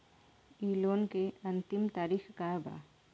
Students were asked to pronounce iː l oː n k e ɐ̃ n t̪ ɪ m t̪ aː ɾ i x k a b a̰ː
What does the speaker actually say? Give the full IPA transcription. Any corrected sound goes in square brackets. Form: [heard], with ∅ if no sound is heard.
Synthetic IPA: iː l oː n k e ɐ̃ n t̪ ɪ m t̪ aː ɾ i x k a b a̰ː